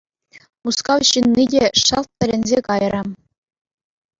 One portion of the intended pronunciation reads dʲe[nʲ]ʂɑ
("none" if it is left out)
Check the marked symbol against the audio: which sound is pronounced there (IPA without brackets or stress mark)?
none